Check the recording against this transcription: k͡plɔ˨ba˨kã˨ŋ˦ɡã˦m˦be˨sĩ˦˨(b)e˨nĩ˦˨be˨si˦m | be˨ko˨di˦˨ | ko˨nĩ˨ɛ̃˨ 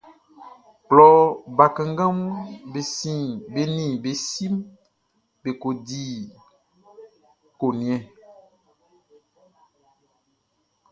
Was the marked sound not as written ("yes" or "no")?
no